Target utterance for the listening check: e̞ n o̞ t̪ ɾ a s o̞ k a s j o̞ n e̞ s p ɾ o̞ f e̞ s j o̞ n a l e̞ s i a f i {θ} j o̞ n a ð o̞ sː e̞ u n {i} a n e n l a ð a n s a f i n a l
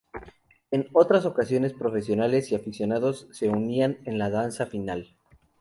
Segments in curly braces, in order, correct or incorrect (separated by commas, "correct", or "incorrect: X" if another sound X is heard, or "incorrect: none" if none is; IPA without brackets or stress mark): incorrect: s, correct